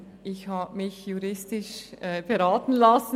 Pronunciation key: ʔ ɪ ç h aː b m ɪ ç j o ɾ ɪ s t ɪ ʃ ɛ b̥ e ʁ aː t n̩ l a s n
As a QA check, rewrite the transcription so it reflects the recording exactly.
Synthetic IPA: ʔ ɪ ç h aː b m ɪ ç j u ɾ ɪ s t ɪ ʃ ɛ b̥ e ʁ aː t n̩ l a s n